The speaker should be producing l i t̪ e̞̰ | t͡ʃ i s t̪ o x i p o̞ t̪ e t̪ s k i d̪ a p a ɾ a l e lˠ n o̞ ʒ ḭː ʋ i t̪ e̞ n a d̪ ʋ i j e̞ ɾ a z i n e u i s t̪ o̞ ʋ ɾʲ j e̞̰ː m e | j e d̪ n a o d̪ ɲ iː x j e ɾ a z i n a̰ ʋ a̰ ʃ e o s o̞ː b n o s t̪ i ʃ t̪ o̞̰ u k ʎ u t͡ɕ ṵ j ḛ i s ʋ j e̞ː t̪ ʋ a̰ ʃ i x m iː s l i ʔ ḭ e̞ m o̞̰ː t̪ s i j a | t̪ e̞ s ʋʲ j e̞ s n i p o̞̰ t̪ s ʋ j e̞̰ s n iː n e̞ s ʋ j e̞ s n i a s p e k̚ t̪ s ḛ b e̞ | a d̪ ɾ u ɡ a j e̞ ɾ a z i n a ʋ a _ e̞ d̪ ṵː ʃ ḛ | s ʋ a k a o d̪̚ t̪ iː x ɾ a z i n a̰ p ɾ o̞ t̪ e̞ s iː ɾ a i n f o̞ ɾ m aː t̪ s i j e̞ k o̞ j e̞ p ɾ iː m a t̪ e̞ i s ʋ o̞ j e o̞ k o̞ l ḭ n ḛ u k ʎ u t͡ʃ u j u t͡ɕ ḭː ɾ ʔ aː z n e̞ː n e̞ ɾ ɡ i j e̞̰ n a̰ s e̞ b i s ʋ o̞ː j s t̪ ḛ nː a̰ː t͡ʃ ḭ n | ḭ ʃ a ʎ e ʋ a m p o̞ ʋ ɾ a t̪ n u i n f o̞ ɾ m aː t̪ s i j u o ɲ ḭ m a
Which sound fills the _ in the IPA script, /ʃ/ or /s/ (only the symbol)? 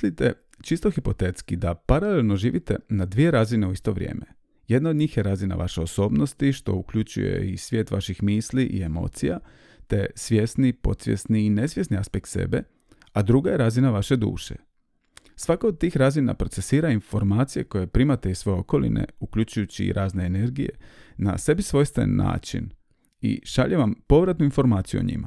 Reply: ʃ